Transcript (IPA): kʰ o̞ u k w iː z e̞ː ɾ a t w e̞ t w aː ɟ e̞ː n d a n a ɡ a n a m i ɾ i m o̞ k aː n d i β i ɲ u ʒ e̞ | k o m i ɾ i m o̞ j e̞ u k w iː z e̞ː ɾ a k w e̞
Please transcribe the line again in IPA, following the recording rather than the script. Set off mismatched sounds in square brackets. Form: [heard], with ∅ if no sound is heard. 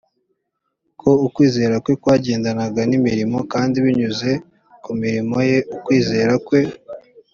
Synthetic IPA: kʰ o̞ u k w iː z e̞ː ɾ a [k] w e̞ [k] w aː ɟ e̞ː n d a n a ɡ a n [i] m i ɾ i m o̞ k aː n d i β i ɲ u [z] e̞ | k [u] m i ɾ i m o̞ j e̞ u k w iː z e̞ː ɾ a k w e̞